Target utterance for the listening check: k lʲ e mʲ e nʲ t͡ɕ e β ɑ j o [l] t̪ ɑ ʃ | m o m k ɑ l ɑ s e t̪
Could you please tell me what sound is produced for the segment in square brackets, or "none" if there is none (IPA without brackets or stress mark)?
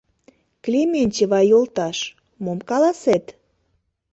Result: l